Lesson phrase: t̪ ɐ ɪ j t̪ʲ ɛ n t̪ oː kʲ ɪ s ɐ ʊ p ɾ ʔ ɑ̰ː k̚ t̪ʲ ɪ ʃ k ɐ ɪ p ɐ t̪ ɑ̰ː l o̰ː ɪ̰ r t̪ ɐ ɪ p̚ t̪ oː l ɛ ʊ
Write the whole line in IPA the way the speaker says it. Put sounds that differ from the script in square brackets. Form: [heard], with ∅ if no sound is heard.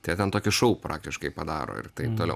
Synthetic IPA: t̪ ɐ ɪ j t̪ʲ ɛ n t̪ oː kʲ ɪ [ʃ] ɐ ʊ p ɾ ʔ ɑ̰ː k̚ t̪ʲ ɪ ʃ k ɐ ɪ p ɐ [d̪] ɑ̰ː [ɾ] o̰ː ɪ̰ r t̪ ɐ ɪ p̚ t̪ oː l ɛ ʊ